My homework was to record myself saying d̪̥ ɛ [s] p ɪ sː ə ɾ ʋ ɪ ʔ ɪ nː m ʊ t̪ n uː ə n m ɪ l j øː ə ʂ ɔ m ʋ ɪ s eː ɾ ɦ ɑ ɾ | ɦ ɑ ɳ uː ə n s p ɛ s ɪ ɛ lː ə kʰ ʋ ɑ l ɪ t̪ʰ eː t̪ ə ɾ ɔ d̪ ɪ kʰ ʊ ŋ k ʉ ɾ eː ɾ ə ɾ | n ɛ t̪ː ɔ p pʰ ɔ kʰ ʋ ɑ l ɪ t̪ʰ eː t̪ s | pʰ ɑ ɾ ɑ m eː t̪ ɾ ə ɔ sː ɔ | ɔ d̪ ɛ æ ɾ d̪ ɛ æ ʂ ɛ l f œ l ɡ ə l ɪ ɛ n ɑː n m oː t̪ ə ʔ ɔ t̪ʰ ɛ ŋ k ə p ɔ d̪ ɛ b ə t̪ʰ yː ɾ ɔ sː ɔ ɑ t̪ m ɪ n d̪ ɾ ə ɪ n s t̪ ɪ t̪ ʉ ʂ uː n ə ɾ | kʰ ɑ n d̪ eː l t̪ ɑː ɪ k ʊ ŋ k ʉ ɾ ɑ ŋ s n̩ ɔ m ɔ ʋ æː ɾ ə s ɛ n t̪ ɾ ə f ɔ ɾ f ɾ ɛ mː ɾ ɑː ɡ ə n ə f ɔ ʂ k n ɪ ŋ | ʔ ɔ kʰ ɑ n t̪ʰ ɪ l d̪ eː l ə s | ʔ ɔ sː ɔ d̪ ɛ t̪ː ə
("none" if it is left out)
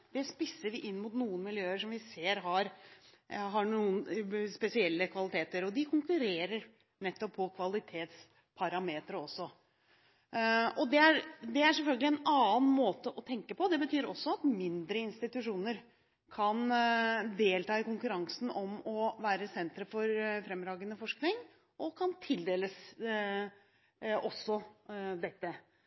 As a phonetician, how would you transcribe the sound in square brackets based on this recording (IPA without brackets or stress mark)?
s